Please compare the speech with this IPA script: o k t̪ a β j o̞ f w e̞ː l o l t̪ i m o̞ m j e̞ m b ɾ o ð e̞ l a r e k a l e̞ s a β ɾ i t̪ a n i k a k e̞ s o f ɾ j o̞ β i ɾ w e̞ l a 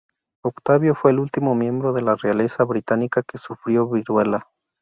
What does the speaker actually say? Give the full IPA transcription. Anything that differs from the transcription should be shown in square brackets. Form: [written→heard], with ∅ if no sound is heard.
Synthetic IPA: o k t̪ a β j o̞ f w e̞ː l [o→u] l t̪ i m o̞ m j e̞ m b ɾ o ð e̞ l a r e [k→∅] a l e̞ s a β ɾ i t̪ a n i k a k e̞ s [o→u] f ɾ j o̞ β i ɾ w e̞ l a